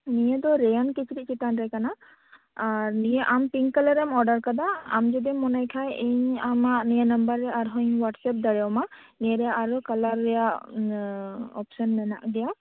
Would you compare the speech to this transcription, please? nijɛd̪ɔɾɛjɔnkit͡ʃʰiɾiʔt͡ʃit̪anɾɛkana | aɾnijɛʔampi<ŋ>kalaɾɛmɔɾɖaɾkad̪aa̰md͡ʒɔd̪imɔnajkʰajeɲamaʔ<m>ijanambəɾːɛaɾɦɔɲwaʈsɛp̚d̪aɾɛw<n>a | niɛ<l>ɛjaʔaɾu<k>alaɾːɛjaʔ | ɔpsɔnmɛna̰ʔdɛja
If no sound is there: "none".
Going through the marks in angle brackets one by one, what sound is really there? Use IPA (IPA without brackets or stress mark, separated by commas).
ŋ, n, m, ɾ, k